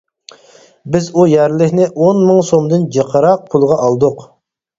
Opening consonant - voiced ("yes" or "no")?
yes